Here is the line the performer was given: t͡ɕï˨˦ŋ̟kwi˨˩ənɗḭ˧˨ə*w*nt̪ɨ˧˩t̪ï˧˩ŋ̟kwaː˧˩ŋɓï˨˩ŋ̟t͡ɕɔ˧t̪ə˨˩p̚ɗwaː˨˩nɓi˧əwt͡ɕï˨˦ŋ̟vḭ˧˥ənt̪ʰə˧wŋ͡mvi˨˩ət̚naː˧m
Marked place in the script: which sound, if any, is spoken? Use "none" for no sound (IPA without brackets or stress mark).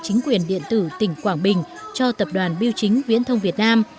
none